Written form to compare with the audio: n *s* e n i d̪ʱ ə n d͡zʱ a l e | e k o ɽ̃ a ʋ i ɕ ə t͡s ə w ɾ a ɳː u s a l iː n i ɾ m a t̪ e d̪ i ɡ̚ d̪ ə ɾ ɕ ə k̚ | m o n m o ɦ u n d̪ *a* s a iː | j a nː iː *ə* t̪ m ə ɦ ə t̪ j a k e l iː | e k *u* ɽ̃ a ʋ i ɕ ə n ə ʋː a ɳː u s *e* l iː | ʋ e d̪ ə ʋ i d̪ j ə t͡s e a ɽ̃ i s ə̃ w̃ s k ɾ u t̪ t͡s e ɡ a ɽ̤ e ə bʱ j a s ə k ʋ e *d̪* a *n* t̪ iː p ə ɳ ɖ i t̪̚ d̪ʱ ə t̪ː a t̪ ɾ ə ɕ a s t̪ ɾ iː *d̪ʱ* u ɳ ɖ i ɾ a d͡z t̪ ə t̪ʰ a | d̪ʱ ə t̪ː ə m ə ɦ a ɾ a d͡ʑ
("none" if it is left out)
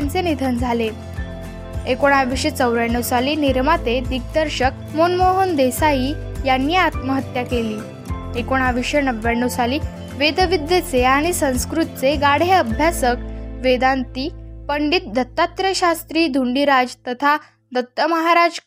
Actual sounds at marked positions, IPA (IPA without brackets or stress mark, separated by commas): t͡s, e, a, o, a, d̪, n, d̪ʱ